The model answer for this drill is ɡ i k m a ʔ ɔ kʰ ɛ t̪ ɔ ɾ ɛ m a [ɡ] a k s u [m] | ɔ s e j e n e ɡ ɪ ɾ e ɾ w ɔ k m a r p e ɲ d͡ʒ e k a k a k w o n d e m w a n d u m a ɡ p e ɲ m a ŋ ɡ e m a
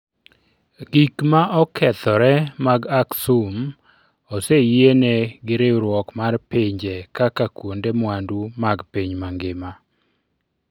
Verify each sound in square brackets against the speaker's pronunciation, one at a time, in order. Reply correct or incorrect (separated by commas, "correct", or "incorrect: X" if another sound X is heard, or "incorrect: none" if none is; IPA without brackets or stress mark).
correct, correct